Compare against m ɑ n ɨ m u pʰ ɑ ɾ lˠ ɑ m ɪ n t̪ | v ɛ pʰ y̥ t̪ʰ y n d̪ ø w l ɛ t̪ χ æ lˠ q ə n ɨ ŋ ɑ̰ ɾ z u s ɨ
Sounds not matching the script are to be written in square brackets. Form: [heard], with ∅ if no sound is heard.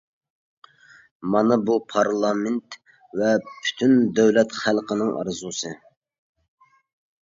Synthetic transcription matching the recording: m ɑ n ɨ [b] u pʰ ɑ ɾ lˠ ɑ m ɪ n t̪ | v ɛ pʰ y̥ t̪ʰ y n d̪ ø w l ɛ t̪ χ æ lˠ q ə n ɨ ŋ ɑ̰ ɾ z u s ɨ